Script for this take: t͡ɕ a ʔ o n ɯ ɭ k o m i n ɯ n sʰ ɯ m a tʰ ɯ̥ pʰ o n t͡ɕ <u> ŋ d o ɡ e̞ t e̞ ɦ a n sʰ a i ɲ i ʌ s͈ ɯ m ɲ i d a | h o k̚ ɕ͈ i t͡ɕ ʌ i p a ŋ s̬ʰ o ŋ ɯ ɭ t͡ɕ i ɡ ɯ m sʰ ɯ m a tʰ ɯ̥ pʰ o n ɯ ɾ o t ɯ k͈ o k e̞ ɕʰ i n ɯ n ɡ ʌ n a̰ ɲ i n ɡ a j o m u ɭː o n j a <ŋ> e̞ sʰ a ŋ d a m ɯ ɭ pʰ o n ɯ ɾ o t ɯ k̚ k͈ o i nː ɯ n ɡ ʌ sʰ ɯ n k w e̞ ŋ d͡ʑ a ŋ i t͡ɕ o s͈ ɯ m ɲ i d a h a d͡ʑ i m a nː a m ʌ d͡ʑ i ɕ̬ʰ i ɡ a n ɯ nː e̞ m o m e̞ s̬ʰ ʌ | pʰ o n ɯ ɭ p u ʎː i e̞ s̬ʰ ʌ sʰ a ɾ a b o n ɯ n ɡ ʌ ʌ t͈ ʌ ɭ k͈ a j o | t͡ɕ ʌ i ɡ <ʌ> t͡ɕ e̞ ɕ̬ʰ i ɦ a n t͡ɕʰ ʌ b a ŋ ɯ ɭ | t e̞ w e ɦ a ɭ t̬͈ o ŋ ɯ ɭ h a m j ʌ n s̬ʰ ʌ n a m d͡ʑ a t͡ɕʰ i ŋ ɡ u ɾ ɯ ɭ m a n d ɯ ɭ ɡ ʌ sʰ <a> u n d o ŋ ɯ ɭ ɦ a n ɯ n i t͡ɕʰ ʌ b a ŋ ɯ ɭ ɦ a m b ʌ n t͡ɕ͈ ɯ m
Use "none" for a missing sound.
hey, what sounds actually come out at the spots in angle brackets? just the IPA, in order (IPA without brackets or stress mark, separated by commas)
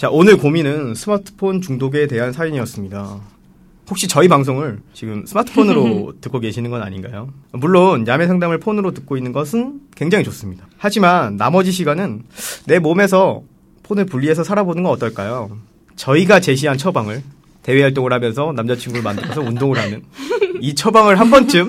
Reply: u, m, a, ʌ